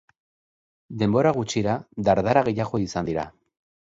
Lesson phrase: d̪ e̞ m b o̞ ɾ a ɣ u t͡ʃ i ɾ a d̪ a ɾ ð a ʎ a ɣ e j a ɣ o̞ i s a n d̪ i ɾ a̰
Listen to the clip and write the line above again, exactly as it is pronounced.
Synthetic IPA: d̪ e̞ m b o̞ ɾ a ɣ u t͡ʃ i ɾ a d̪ a ɾ ð a ɾ a ɣ e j a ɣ o̞ i s a n d̪ i ɾ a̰